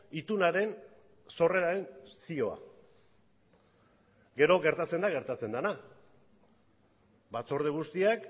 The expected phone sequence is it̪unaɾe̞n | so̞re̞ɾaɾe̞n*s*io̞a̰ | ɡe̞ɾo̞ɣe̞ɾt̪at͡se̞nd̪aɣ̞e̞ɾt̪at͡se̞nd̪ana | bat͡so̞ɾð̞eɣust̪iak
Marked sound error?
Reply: no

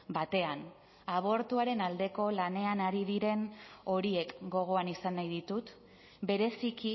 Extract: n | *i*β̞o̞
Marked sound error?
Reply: yes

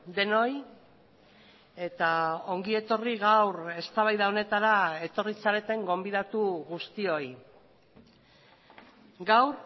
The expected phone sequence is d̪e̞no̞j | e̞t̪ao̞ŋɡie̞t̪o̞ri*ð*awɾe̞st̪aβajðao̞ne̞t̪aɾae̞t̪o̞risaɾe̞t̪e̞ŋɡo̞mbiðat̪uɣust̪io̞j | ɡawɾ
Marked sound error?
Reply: yes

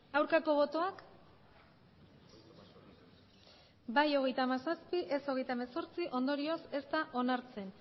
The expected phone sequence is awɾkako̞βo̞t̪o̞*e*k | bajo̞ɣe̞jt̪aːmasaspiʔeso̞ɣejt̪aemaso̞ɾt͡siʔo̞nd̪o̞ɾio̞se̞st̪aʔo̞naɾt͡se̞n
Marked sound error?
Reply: yes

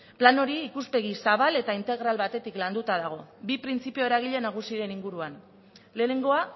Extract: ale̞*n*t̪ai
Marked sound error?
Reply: yes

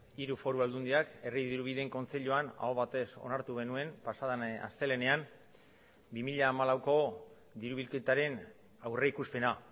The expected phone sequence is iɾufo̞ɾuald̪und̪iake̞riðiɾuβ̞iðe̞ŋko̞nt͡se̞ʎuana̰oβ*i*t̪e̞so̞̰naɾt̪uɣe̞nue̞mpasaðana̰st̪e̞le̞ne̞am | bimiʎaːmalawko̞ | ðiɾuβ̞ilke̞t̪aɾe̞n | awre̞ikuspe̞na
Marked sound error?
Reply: yes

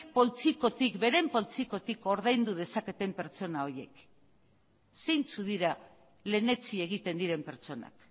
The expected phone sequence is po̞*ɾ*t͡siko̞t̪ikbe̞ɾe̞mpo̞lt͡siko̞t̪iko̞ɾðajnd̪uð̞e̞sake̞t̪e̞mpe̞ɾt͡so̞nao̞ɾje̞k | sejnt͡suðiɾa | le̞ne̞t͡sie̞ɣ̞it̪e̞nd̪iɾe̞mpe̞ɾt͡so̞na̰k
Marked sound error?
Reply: yes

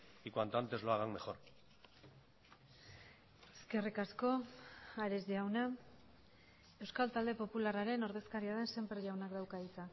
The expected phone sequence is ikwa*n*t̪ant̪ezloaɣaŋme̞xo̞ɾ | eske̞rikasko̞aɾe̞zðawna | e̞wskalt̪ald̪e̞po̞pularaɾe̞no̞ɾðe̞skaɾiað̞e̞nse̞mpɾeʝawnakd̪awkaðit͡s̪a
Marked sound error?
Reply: no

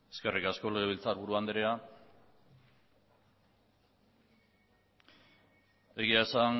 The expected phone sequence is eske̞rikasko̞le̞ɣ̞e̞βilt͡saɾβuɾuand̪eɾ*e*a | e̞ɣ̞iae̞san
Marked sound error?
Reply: no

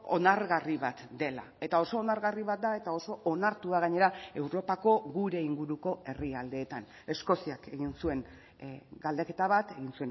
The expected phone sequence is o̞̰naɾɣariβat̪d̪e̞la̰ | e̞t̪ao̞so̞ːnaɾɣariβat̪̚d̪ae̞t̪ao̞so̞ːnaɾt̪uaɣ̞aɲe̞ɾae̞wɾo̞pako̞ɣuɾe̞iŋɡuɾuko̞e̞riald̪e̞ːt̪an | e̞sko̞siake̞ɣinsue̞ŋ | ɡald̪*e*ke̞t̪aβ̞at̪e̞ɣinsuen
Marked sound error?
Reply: no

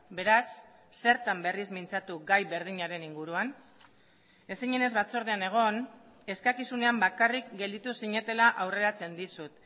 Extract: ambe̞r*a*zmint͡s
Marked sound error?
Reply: yes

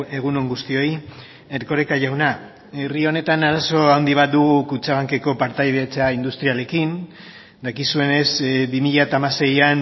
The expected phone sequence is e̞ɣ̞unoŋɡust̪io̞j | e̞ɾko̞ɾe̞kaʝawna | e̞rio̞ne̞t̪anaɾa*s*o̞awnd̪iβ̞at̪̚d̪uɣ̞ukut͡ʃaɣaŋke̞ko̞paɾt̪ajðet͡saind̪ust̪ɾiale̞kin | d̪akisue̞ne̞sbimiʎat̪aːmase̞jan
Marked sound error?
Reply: no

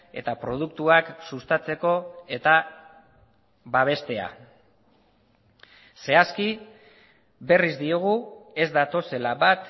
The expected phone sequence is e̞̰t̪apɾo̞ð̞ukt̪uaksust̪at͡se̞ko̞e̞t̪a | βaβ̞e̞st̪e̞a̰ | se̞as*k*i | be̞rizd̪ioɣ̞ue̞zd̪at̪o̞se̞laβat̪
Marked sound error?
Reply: no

